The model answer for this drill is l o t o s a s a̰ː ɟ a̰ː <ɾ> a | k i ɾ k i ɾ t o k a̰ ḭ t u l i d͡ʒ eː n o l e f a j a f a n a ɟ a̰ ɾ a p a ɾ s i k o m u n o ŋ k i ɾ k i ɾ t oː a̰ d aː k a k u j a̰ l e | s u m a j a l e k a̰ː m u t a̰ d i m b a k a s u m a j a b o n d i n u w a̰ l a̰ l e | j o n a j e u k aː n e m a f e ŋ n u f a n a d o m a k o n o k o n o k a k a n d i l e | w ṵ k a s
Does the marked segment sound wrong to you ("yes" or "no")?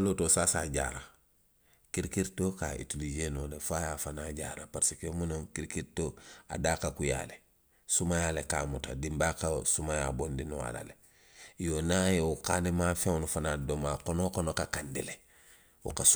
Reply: no